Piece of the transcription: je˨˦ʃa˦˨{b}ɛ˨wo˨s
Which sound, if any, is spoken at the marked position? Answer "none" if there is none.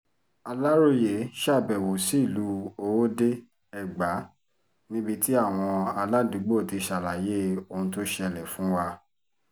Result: b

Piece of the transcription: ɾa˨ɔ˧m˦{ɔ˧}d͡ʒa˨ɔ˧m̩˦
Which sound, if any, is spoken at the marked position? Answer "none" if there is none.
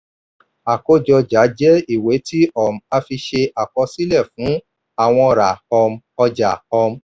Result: ɔ˧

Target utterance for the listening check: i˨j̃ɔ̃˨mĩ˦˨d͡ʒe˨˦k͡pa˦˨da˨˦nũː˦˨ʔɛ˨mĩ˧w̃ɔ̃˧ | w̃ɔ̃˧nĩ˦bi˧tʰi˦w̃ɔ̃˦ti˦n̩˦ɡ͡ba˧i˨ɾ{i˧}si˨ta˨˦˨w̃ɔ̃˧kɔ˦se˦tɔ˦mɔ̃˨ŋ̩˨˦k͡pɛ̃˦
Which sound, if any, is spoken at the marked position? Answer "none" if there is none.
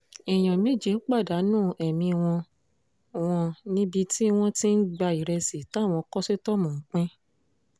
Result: ɛ˧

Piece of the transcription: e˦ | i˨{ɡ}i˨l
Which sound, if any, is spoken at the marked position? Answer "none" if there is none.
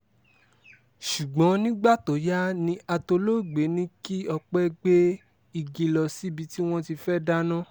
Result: ɡ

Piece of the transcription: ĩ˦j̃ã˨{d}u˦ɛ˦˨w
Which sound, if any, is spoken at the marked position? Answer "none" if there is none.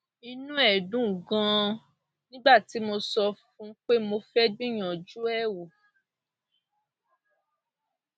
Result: d͡ʒ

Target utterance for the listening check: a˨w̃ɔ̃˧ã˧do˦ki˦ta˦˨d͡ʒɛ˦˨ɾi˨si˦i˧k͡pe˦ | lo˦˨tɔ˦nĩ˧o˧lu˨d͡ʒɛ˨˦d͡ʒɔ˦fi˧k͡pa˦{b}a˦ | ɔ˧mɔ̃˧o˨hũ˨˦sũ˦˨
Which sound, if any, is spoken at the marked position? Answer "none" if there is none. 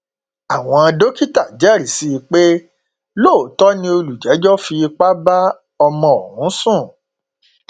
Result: b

